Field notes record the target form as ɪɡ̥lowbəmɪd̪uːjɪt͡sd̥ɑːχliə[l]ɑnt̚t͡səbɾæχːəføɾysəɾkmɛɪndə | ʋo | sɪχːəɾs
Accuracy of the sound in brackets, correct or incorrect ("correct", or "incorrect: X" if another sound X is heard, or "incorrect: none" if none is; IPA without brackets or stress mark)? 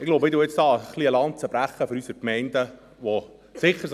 correct